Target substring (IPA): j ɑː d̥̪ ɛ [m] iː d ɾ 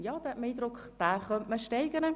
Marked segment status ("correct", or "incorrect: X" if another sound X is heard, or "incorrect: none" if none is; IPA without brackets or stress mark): correct